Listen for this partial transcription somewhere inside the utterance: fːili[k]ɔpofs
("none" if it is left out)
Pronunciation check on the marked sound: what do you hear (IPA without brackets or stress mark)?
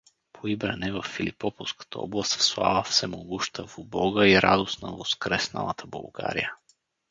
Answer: p